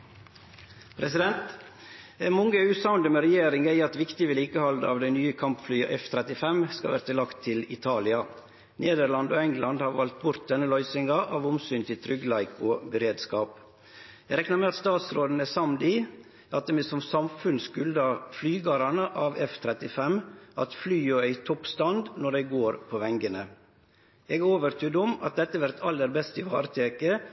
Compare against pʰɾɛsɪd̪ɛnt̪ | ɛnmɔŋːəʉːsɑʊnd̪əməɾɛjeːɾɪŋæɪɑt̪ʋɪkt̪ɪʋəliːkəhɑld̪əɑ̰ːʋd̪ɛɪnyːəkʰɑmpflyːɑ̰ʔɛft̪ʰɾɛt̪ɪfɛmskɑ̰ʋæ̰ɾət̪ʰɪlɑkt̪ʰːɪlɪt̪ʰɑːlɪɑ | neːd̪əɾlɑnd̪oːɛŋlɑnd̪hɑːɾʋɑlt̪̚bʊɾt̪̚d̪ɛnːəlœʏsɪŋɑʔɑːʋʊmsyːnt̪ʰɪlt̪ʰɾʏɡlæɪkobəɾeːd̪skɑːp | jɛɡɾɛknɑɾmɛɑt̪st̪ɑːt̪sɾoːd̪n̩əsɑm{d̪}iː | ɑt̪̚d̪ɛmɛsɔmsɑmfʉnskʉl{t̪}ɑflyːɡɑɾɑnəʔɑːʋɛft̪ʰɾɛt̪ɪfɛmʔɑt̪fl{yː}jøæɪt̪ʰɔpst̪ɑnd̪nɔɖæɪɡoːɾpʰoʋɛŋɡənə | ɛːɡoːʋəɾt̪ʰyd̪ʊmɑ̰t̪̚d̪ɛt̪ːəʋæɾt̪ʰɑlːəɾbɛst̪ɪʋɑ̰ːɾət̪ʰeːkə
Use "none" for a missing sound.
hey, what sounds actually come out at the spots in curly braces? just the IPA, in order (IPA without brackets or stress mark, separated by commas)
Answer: d̪, d̪, yː